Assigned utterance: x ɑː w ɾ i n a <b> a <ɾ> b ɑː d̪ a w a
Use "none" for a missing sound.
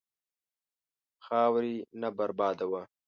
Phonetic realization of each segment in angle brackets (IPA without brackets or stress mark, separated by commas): b, ɾ